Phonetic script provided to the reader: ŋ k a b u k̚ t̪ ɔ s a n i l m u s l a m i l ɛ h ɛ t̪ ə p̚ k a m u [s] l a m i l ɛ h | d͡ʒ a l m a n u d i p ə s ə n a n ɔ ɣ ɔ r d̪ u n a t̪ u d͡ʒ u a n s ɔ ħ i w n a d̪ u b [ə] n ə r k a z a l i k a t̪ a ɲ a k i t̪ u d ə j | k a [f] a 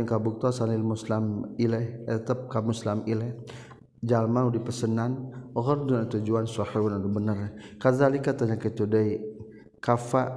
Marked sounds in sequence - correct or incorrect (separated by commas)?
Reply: correct, correct, correct